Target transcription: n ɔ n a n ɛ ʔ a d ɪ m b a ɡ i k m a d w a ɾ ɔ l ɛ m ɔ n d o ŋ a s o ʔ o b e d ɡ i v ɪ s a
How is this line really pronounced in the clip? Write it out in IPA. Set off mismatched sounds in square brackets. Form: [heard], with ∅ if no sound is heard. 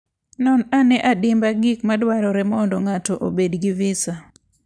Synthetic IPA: n ɔ n a n ɛ ʔ a d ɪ m b a ɡ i k m a d w a ɾ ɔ [ɾ] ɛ m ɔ n d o ŋ a [t] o ʔ o b e d ɡ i v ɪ s a

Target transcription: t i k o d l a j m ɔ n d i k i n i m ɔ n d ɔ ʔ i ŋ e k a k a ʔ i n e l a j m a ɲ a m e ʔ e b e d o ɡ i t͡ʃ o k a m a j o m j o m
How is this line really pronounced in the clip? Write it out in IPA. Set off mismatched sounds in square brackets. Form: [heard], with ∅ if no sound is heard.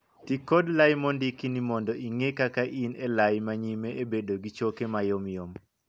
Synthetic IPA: t i k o d l a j m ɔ n d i k i n i m ɔ n d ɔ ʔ i ŋ e k a k a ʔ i n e l a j m a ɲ [i] m e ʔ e b e d o ɡ i t͡ʃ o k [e] m a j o m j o m

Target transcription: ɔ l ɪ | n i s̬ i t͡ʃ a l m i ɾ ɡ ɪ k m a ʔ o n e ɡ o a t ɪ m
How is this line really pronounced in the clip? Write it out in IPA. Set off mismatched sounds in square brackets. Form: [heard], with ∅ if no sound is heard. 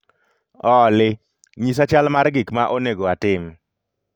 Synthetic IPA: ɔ l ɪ | [ɲ] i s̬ [a] t͡ʃ a l m [a] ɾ ɡ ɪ k m a ʔ o n e ɡ o a t ɪ m

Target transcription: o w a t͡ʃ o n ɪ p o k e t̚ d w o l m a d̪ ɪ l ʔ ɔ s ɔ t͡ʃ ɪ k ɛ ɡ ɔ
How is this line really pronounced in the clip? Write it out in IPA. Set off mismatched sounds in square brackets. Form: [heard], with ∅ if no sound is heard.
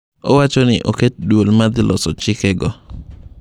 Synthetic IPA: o w a t͡ʃ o n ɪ [ʔ] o k e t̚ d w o l m a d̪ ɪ l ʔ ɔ s ɔ t͡ʃ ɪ k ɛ ɡ ɔ

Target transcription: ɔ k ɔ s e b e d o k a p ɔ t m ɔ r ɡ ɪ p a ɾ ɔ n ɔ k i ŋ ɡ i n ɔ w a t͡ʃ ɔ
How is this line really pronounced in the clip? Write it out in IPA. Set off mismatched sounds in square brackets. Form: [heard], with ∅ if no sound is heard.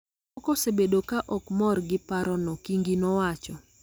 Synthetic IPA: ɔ k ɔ s e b e d o k a [ʔ] ɔ [k] m ɔ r ɡ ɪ p a ɾ ɔ n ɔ k i ŋ ɡ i n ɔ w a t͡ʃ ɔ

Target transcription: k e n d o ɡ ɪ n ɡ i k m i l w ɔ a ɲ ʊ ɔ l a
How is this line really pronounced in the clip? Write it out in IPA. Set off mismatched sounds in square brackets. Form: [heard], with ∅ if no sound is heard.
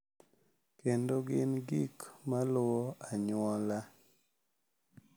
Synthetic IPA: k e n d o ɡ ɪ n ɡ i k m [a] l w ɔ a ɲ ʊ ɔ l a

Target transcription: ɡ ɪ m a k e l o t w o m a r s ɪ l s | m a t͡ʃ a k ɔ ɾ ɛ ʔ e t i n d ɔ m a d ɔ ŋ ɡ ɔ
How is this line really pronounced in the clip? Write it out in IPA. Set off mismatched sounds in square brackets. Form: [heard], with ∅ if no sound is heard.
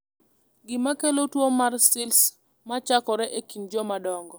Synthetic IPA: ɡ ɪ m a k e l o t w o m a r s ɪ l s | m a t͡ʃ a k ɔ ɾ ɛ ʔ e [k] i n [d͡ʒ] ɔ m a d ɔ ŋ ɡ ɔ

